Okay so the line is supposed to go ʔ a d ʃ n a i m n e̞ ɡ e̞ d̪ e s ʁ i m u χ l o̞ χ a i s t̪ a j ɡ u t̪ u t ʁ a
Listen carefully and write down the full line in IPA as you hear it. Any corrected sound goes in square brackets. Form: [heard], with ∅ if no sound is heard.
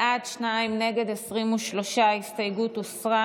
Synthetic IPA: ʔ a d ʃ n a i m n e̞ ɡ e̞ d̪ e s ʁ i m u [ʃ] l o̞ [ʃ] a i s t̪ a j ɡ u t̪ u [s] ʁ a